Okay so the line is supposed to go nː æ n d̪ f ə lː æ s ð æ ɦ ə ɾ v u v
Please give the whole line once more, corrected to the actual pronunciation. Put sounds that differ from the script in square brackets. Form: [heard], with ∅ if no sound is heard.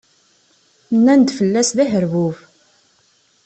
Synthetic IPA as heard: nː æ n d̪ f ə lː æ s ð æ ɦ ə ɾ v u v